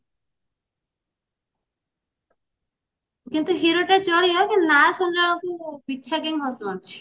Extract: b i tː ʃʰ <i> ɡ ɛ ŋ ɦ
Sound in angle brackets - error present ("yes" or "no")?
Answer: yes